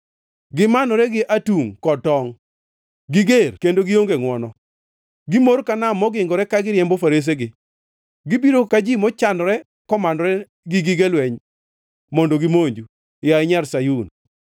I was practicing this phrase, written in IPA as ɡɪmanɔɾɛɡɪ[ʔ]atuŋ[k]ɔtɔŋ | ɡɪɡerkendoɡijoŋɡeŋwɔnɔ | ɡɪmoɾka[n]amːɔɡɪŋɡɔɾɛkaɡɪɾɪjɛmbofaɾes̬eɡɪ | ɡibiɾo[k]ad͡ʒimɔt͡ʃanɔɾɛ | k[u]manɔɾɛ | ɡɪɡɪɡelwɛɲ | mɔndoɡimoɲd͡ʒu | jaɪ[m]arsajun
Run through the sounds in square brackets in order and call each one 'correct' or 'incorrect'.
correct, correct, correct, correct, incorrect: ɔ, incorrect: ɲ

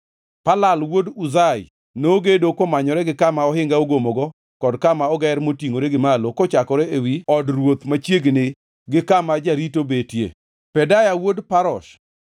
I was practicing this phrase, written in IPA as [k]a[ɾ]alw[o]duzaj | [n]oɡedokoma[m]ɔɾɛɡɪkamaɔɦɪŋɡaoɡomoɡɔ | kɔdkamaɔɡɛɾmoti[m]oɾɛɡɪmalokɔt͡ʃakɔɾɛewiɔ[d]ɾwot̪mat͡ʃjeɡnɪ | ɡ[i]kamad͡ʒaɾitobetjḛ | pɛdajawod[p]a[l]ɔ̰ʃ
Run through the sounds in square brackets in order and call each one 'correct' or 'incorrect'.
incorrect: p, incorrect: l, correct, correct, incorrect: ɲ, incorrect: ŋ, correct, incorrect: ɪ, correct, incorrect: ɾ

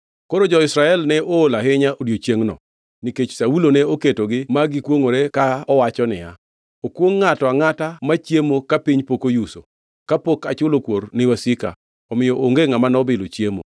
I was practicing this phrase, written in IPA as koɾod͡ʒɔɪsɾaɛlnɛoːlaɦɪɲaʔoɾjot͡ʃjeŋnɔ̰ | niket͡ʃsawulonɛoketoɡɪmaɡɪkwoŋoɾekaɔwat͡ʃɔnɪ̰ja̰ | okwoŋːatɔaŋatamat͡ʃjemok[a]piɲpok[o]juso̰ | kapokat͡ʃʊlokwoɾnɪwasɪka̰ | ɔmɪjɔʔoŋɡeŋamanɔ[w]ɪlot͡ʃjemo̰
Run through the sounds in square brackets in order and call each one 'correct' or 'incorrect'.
correct, correct, incorrect: b

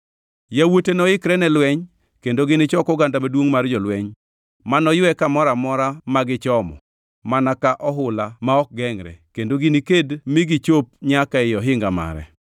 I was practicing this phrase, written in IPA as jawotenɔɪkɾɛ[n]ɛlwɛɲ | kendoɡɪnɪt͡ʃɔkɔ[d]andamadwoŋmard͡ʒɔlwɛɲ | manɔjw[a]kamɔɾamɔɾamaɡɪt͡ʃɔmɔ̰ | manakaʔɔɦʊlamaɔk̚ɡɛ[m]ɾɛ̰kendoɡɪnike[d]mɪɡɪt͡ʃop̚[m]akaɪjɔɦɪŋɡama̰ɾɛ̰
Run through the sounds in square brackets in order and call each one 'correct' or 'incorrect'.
correct, incorrect: ɡ, incorrect: ɛ, incorrect: ŋ, correct, incorrect: ɲ

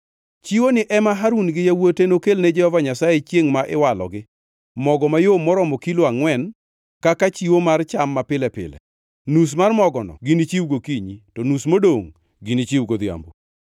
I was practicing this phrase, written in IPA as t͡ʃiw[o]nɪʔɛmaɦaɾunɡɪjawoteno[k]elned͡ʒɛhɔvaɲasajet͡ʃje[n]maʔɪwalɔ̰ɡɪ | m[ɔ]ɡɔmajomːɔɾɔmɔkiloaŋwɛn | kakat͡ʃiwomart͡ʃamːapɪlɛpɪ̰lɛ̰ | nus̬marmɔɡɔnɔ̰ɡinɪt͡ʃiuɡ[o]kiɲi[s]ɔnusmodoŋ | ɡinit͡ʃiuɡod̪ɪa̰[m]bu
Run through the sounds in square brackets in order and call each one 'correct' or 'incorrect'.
correct, correct, incorrect: ŋ, correct, correct, incorrect: t, correct

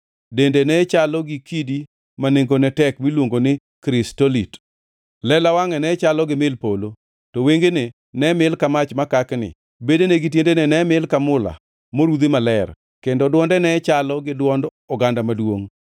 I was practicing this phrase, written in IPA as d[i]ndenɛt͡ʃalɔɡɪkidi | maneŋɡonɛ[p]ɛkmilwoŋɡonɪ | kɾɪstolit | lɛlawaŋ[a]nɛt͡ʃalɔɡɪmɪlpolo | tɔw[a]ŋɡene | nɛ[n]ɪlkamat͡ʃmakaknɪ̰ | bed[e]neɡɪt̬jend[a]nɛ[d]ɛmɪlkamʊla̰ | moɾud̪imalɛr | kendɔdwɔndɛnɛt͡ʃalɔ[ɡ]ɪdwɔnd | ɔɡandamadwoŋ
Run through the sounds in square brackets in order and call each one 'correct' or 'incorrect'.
incorrect: e, incorrect: t, incorrect: ɛ, incorrect: e, incorrect: m, correct, incorrect: e, incorrect: n, correct

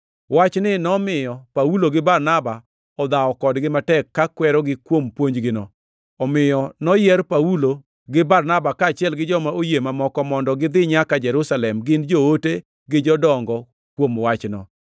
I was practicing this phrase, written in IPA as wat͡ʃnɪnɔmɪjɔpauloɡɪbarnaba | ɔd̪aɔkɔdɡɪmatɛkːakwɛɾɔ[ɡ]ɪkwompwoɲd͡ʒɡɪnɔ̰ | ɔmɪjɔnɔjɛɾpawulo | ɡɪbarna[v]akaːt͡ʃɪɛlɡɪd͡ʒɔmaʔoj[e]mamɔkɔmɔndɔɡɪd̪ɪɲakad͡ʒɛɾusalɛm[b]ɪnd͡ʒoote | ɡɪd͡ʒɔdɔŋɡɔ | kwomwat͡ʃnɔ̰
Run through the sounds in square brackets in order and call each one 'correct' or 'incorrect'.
correct, incorrect: b, correct, incorrect: ɡ

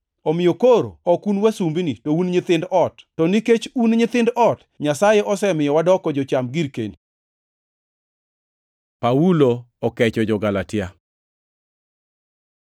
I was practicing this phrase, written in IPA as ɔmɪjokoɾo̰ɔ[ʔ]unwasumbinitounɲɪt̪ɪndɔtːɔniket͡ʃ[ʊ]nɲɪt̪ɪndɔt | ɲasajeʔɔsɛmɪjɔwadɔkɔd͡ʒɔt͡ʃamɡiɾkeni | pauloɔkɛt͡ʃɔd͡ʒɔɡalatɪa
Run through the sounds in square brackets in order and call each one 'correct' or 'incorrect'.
incorrect: k, incorrect: u

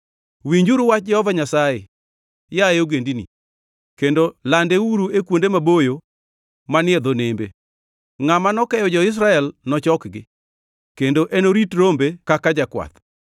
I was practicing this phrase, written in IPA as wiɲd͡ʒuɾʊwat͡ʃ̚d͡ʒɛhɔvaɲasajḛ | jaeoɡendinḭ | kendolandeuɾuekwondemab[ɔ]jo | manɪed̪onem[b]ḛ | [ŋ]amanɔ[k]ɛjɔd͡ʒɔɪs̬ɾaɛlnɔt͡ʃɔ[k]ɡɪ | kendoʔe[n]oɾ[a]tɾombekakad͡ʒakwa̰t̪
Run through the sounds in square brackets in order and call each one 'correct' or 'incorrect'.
incorrect: o, correct, correct, correct, correct, correct, incorrect: i

